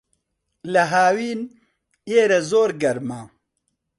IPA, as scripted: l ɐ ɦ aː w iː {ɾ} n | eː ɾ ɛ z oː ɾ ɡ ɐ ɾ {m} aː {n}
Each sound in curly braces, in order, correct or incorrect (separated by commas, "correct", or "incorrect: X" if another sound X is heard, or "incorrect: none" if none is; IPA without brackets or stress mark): incorrect: none, correct, incorrect: none